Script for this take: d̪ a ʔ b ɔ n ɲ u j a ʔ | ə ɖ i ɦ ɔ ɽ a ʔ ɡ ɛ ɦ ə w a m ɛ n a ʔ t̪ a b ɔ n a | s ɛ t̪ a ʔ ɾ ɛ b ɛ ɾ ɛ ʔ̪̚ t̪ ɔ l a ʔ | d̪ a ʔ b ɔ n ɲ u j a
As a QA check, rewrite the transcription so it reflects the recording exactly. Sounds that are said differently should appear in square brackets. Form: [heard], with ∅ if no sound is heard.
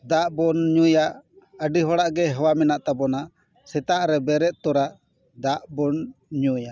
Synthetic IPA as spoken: d̪ a ʔ b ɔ n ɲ u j a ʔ | ə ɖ i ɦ ɔ ɽ a ʔ ɡ ɛ ɦ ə w a m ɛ n a ʔ t̪ a b ɔ n a | s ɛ t̪ a ʔ ɾ ɛ b ɛ ɾ ɛ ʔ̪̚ t̪ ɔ [ɾ] a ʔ | d̪ a ʔ b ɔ n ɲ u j a